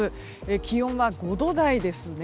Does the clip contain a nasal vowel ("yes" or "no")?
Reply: yes